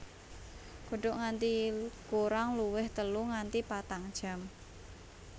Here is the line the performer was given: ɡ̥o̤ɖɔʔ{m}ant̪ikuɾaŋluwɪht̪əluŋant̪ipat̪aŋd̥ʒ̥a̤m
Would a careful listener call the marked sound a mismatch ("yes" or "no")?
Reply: yes